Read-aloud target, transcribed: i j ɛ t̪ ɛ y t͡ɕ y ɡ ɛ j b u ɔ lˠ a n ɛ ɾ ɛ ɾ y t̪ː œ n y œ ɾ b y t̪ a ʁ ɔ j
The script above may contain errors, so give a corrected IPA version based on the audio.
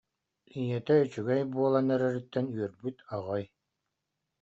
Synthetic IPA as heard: i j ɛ t̪ ɛ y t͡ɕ y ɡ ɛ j b u ɔ lˠ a n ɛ ɾ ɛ ɾ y t̪ː ɛ n y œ ɾ b y t̪ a ʁ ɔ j